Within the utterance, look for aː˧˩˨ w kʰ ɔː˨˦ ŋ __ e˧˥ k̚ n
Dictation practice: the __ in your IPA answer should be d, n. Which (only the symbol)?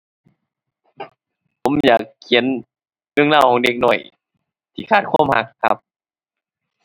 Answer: d